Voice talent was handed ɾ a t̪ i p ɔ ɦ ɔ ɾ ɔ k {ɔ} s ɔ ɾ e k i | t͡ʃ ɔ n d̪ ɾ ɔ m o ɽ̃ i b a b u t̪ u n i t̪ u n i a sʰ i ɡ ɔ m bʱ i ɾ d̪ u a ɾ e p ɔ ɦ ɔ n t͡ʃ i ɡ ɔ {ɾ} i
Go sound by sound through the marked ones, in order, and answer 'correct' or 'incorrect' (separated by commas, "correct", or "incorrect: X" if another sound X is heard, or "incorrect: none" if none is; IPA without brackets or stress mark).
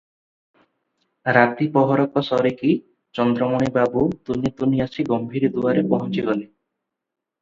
correct, incorrect: l